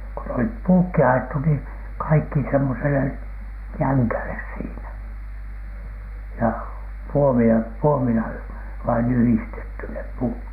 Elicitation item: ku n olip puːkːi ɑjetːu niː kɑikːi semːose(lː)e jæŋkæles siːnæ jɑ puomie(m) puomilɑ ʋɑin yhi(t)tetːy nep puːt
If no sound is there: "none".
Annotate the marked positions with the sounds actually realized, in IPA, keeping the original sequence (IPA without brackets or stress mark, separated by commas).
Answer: l, n, s